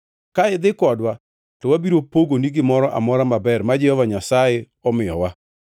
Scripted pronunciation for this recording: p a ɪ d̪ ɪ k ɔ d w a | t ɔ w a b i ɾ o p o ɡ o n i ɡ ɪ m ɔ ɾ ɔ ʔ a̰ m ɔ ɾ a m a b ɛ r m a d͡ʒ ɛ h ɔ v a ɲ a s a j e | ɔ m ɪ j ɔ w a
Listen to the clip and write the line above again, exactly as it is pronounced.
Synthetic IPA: k a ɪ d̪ ɪ k ɔ d w a | t ɔ w a b i ɾ o p o ɡ o n i ɡ ɪ m ɔ ɾ ɔ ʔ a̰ m ɔ ɾ a m a b ɛ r m a d͡ʒ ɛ h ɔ v a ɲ a s a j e | ɔ m ɪ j ɔ w a